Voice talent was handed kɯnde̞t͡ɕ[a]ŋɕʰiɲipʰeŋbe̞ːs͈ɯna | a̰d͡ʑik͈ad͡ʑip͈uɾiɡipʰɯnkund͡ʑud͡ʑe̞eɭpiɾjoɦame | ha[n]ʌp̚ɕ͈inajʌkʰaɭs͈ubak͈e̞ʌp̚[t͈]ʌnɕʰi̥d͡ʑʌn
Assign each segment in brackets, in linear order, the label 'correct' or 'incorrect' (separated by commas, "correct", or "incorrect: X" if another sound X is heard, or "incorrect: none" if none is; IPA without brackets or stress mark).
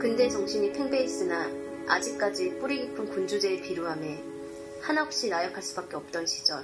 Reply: incorrect: ʌ, correct, correct